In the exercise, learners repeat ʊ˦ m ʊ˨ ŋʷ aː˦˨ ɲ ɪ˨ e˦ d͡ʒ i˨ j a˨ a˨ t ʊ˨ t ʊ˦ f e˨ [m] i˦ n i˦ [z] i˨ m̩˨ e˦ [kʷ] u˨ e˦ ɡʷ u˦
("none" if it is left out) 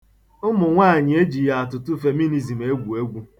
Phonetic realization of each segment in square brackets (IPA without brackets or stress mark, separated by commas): m, z, ɡʷ